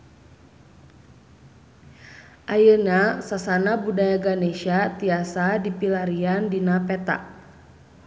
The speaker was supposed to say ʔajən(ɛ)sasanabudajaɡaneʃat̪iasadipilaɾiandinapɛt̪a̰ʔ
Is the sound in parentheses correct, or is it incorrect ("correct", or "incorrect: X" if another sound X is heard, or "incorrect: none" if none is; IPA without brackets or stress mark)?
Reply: incorrect: a